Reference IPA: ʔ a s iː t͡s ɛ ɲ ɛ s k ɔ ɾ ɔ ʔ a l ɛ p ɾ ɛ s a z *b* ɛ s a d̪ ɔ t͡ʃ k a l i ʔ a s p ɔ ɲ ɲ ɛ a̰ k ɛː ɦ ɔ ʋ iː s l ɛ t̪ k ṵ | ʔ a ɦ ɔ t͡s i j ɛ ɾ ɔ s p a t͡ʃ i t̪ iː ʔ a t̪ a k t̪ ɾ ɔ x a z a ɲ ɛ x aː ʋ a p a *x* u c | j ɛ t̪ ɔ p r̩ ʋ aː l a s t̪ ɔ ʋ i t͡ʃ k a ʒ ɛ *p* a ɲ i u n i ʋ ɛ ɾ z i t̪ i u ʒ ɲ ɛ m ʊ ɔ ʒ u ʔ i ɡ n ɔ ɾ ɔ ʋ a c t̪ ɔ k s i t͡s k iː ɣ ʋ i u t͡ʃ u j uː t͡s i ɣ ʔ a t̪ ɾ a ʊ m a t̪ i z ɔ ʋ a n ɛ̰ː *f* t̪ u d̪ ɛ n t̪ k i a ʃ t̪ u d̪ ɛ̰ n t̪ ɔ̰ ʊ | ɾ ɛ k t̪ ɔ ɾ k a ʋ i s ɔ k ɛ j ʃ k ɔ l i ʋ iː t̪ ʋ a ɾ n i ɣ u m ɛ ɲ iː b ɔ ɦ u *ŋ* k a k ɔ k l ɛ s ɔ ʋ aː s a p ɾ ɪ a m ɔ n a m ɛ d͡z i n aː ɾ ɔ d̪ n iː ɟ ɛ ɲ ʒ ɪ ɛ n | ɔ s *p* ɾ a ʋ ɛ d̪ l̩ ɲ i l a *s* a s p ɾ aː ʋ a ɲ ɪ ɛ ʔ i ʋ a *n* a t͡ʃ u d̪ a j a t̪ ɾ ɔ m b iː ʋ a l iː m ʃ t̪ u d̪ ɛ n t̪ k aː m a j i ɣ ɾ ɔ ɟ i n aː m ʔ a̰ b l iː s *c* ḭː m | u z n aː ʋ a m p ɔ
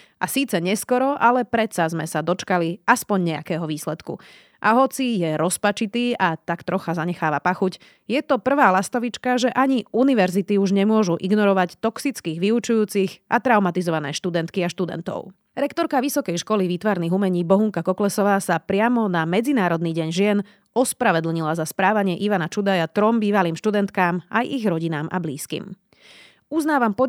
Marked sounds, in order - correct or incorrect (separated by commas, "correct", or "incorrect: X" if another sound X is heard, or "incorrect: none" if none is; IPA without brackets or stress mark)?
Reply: incorrect: m, correct, incorrect: ʔ, incorrect: ʃ, correct, correct, incorrect: z, correct, incorrect: k